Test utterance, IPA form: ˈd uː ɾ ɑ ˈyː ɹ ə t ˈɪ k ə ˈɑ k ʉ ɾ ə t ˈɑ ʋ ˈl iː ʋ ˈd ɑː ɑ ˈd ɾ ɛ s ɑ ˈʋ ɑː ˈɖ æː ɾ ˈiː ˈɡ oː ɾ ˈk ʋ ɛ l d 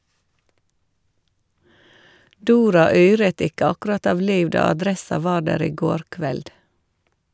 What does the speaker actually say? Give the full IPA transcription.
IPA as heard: ˈd uː ɾ ɑ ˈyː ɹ ə t ˈɪ k ə ˈɑ k ʉ ɾ ɑ t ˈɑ ʋ ˈl iː ʋ ˈd ɑː ɑ ˈd ɾ ɛ s ɑ ˈʋ ɑː ˈɖ æː ɾ ˈiː ˈɡ oː ɾ ˈk ʋ ɛ l d